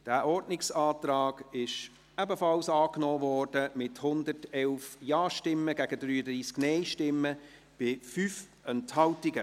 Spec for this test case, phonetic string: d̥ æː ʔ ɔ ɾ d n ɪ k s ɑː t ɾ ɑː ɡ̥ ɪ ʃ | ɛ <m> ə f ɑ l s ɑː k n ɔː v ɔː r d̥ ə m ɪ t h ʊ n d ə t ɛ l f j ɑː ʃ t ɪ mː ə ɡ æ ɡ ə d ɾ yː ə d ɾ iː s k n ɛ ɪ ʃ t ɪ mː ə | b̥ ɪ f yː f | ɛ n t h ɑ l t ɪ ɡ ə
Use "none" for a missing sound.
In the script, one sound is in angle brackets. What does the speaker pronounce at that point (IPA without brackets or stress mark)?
b